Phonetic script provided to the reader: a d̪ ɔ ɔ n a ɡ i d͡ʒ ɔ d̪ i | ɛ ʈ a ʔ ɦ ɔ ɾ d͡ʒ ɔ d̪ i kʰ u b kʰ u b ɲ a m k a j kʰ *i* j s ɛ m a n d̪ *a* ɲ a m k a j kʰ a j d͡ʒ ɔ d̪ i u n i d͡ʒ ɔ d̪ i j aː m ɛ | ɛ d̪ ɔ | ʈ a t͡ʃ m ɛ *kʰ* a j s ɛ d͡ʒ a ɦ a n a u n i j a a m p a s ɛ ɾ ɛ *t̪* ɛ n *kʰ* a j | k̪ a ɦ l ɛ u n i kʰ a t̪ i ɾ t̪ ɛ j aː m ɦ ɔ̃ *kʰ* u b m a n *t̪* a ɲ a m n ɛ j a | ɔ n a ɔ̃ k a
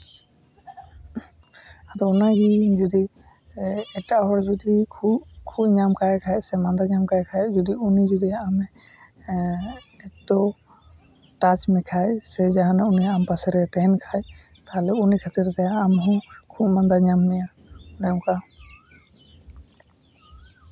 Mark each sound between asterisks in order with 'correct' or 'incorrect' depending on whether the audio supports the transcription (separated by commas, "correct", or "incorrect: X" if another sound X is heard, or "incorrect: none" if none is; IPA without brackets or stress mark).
incorrect: a, correct, correct, correct, correct, correct, incorrect: d̪